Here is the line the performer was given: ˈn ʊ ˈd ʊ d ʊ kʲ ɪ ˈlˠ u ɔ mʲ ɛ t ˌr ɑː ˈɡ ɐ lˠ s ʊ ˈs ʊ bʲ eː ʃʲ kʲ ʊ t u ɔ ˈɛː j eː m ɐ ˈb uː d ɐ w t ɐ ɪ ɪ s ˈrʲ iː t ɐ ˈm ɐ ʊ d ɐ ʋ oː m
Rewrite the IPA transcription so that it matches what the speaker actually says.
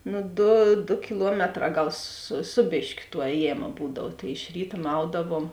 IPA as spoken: ˈn ʊ ˈd ʊ d ʊ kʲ ɪ ˈlˠ u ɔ mʲ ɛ t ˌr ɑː ˈɡ ɐ lˠ s ʊ ˈs ʊ bʲ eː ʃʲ kʲ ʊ t u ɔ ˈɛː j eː m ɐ ˈb uː d ɐ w t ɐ ɪ ɪ ʃ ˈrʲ iː t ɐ ˈm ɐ ʊ d ɐ ʋ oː m